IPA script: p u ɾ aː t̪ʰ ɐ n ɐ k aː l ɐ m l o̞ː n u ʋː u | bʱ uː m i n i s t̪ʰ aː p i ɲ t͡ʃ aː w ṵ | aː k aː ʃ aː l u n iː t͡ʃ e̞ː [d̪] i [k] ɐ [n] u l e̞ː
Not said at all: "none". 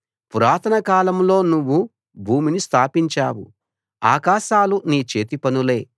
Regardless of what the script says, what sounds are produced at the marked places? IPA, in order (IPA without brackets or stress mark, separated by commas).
t̪, p, n